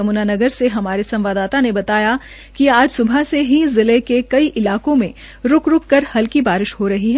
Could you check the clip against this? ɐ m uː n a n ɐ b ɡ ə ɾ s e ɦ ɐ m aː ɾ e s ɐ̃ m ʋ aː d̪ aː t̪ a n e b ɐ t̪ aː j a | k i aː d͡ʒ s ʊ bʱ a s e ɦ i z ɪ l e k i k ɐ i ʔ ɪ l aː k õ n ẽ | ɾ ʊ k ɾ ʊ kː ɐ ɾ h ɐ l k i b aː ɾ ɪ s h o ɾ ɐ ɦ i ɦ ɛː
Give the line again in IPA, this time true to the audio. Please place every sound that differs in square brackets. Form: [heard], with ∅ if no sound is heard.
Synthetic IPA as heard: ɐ m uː n a n ɐ [∅] ɡ ə ɾ s e ɦ ɐ m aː ɾ e s ɐ̃ m ʋ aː d̪ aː t̪ a n e b ɐ t̪ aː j a | k i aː d͡ʒ s ʊ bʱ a s e ɦ i z ɪ l e k [e] k ɐ i ʔ ɪ l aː k õ [m] ẽ | ɾ ʊ k ɾ ʊ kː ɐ ɾ h ɐ l k i b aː ɾ ɪ [ʃ] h o ɾ ɐ ɦ i ɦ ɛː

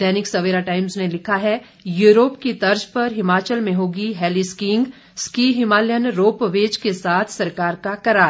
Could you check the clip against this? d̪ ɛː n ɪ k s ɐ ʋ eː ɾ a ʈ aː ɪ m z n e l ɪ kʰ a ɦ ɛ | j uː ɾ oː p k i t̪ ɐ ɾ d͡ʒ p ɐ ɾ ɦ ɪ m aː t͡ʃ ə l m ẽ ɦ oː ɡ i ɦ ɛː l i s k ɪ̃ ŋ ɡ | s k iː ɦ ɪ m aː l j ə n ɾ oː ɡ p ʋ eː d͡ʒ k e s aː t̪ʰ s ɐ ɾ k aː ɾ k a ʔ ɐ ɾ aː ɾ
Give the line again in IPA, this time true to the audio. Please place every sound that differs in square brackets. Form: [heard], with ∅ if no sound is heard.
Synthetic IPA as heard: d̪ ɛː n ɪ k s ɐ ʋ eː ɾ a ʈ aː ɪ m z n e l ɪ kʰ a ɦ ɛ | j uː ɾ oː p k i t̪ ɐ ɾ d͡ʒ p ɐ ɾ ɦ ɪ m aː t͡ʃ ə l m ẽ ɦ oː ɡ i ɦ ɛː l i s k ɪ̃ ŋ ɡ | s k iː ɦ ɪ m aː l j ə n ɾ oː [∅] p ʋ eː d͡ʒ k e s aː t̪ʰ s ɐ ɾ k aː ɾ k a [k] ɐ ɾ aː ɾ

